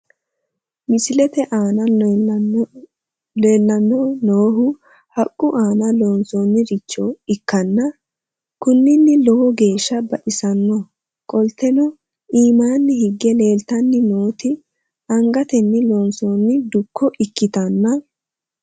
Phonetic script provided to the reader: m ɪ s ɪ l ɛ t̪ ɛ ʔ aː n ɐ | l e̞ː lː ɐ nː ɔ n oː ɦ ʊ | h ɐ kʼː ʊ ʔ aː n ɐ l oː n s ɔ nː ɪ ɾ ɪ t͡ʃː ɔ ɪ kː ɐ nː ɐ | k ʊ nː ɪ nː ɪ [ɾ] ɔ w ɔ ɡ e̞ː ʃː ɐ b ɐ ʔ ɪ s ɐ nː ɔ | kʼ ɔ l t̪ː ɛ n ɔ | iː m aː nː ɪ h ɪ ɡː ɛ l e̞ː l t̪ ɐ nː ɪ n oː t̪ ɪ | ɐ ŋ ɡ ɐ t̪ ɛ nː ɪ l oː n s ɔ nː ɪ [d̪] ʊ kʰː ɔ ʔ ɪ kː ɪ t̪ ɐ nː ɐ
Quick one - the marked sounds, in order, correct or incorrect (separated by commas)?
incorrect, correct